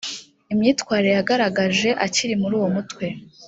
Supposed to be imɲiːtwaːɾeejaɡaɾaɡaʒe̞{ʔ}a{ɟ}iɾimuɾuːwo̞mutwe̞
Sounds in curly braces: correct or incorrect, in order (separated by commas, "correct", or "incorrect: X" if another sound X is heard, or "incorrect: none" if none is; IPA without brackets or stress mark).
correct, incorrect: c